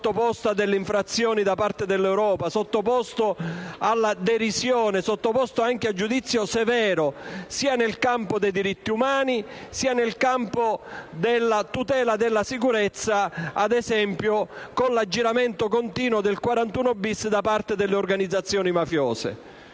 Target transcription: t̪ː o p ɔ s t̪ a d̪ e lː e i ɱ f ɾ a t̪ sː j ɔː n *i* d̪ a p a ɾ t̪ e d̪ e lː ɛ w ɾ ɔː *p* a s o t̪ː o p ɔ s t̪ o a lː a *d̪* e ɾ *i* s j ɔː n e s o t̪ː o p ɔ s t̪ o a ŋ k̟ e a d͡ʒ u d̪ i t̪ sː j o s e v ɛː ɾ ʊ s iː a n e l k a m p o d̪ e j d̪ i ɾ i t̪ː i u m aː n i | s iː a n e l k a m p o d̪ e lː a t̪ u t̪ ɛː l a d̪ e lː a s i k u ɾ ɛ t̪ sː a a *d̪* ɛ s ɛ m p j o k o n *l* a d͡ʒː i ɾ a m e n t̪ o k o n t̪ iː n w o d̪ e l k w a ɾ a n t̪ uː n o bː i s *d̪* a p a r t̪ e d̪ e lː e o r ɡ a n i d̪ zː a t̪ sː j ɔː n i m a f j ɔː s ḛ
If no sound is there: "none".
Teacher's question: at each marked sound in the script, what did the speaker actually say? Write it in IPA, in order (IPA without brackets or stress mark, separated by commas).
i, p, d̪, i, d̪, l, d̪